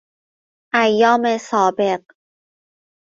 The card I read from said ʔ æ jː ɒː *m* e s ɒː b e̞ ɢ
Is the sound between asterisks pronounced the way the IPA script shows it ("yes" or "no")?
yes